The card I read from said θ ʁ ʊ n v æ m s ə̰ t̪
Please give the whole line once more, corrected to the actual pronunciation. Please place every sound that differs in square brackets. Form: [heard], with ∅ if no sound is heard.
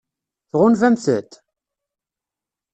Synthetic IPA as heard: θ ʁ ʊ n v æ m [θ] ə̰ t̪